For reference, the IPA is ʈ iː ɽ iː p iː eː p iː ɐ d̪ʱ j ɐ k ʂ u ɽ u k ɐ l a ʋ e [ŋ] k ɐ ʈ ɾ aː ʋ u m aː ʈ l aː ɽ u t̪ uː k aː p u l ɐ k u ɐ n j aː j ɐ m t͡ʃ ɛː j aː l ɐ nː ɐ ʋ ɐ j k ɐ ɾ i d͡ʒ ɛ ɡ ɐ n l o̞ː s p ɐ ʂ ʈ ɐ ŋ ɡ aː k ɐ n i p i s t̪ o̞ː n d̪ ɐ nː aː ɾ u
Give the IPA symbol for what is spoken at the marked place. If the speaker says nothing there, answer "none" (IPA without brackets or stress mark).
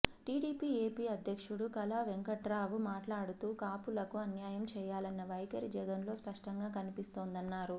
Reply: ŋ